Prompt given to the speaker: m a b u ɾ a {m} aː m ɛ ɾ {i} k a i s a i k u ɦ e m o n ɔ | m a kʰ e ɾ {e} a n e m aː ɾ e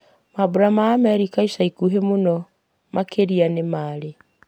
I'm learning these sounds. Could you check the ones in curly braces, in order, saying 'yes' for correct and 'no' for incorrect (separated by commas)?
yes, yes, no